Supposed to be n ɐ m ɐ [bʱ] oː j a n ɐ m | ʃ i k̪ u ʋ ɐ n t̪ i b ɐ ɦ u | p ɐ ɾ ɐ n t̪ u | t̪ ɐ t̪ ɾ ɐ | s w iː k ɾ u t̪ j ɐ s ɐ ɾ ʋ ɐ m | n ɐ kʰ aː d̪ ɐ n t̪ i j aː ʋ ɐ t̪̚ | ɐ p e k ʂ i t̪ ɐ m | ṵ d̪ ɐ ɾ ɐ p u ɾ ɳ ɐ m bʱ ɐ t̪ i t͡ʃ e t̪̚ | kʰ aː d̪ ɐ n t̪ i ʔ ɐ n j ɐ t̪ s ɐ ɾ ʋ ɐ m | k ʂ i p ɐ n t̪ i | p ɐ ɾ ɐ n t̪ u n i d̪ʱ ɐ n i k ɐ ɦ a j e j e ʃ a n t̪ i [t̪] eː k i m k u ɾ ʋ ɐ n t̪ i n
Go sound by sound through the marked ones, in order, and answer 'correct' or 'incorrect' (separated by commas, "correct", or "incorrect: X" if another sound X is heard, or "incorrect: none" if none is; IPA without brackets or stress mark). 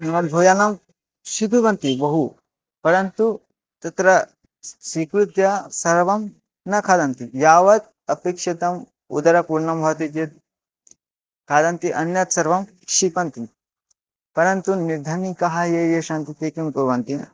correct, correct